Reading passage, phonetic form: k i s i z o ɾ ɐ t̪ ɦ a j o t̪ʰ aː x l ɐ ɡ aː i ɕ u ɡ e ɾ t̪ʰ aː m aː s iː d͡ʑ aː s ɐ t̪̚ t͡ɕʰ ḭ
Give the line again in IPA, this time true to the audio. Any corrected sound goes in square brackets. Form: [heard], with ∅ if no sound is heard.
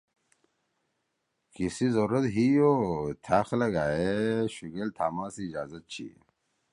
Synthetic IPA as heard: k i s i z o ɾ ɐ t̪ ɦ [i] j o t̪ʰ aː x l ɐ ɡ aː [e] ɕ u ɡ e [l] t̪ʰ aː m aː s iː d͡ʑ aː [z] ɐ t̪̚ t͡ɕʰ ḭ

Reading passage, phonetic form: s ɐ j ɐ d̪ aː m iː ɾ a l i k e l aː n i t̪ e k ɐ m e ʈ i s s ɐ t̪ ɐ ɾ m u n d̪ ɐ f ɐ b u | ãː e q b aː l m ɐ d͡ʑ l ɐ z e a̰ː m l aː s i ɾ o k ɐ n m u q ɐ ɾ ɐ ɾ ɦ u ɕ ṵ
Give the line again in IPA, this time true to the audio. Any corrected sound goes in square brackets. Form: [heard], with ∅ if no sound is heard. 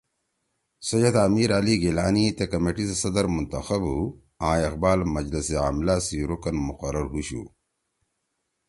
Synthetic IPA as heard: s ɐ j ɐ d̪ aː m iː ɾ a l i [ɡ] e l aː n i t̪ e k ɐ m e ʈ i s s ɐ [d̪] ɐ ɾ m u n [t̪] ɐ [x] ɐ b u | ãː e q b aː l m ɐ d͡ʑ l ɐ [s] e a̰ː m l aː s i ɾ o k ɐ n m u q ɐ ɾ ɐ ɾ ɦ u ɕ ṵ

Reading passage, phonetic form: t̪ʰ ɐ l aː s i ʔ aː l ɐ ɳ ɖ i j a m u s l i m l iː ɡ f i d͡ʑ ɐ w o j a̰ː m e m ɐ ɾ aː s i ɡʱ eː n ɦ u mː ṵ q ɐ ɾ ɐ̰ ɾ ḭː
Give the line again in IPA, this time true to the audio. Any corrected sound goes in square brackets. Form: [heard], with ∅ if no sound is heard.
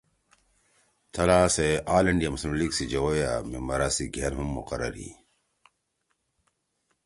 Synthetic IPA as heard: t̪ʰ ɐ l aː s [e] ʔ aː l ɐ ɳ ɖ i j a m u s l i m l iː ɡ [s] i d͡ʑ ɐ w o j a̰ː m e m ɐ ɾ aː s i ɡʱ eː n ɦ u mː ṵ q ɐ ɾ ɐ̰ ɾ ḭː

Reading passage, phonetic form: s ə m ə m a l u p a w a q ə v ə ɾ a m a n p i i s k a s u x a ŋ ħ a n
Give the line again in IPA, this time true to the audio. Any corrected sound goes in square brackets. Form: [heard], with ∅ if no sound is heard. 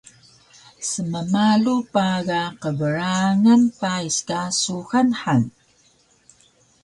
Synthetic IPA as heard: s ə m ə m a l u p a [ɣ] a q ə v ə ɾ a [ŋ] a n p [a] i s k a s u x a [n] ħ a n

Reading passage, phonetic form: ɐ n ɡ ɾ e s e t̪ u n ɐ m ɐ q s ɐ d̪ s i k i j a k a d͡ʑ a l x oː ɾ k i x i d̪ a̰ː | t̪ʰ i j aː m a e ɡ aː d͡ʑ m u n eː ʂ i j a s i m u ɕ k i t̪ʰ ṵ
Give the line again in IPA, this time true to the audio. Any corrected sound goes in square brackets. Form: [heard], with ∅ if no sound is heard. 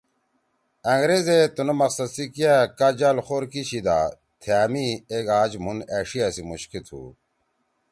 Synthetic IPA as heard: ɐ [ŋ] ɡ ɾ e [z] e t̪ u n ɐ m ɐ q s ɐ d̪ s i k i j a k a d͡ʑ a l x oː ɾ k i [ɕ] i d̪ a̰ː | t̪ʰ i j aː m [i] e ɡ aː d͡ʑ m u n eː ʂ i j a s i m u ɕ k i t̪ʰ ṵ

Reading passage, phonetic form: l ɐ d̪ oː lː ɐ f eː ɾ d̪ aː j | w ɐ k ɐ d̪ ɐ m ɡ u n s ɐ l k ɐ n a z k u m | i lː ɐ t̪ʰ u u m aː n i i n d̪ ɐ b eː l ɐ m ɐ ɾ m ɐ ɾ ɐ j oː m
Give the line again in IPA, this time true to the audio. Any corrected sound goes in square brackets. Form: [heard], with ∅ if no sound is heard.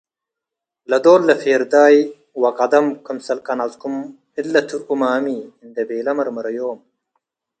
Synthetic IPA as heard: l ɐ d̪ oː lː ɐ f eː ɾ d̪ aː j | w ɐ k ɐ d̪ ɐ m [k] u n s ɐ l k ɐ n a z k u m | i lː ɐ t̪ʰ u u m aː [m] i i n d̪ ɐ b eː l ɐ m ɐ ɾ m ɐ ɾ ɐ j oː m

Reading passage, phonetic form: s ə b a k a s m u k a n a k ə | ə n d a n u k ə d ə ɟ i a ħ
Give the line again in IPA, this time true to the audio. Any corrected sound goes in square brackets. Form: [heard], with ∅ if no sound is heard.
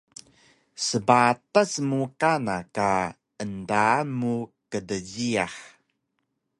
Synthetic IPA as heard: s ə b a [t] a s m u k a n a k [a] | ə n d a [m] u k ə d ə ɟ i a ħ

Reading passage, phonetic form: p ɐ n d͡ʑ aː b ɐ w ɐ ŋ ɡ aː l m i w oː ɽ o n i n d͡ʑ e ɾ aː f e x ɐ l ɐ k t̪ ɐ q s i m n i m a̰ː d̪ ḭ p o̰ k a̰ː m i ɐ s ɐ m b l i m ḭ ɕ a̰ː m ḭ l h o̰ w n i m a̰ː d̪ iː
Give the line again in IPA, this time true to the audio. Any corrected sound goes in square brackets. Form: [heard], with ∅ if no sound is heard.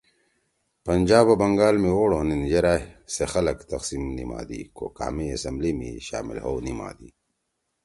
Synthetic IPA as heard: p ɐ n d͡ʑ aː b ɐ [b] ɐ ŋ ɡ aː l m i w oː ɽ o n i n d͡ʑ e ɾ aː [s] e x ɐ l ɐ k t̪ ɐ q s i m n i m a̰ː d̪ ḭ [k] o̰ k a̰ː m i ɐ s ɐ m b l i m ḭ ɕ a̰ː m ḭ l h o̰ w n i m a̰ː d̪ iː

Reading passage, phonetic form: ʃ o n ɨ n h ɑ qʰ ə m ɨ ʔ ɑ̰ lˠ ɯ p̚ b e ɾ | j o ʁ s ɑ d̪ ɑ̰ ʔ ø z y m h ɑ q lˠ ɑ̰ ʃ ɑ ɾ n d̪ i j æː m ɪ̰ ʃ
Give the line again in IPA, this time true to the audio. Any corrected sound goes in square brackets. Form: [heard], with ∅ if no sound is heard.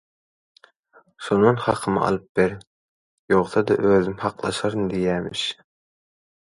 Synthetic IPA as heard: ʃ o n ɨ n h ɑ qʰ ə m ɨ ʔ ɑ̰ lˠ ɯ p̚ b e ɾ | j o ʁ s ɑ d̪ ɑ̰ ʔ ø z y m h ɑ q lˠ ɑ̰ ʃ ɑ ɾ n d̪ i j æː m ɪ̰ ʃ

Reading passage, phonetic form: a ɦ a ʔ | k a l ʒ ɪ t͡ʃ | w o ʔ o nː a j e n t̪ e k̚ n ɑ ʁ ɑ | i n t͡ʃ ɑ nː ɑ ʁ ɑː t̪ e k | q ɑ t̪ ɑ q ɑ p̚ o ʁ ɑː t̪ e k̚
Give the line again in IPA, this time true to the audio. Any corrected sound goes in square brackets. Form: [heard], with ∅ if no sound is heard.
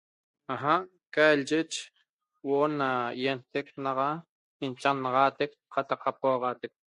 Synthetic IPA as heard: a ɦ a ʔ | k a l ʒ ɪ t͡ʃ | w o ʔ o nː a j e n t̪ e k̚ n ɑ ʁ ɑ | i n t͡ʃ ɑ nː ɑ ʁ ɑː t̪ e k | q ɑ t̪ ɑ q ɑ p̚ o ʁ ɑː t̪ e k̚

